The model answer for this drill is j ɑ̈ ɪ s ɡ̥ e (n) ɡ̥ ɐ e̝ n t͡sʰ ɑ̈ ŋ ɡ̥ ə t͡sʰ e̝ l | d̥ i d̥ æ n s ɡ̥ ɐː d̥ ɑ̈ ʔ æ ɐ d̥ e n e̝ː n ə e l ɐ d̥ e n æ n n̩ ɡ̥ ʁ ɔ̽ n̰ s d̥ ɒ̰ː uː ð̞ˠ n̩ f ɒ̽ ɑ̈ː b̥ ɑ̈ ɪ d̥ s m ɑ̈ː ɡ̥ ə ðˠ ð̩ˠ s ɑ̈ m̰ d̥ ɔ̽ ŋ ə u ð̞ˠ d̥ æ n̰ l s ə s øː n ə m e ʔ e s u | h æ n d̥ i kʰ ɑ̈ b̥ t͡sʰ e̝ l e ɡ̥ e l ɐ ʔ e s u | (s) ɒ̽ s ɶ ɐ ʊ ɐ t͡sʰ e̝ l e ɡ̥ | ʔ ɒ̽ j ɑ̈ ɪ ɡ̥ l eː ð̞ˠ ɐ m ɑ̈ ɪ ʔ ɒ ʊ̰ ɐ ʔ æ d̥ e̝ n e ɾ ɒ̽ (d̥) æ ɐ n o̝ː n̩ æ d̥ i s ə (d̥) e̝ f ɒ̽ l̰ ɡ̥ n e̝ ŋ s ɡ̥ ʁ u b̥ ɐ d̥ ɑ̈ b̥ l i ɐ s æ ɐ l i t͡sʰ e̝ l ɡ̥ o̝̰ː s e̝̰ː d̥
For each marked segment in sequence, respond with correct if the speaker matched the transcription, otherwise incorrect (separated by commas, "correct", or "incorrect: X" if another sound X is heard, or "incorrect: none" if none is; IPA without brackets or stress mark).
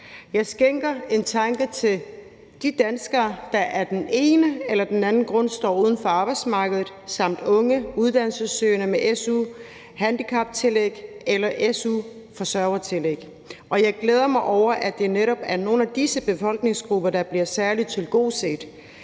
incorrect: ŋ, incorrect: f, incorrect: b̥, incorrect: b̥